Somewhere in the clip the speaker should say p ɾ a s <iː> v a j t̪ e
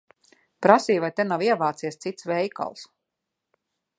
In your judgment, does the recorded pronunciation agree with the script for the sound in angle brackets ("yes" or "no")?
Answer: yes